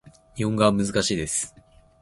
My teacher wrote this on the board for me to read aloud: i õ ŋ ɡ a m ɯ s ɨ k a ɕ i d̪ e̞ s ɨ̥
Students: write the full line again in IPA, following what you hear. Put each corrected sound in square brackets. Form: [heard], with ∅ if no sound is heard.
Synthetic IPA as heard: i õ ŋ ɡ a m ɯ [z] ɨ k a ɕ [iː] d̪ e̞ s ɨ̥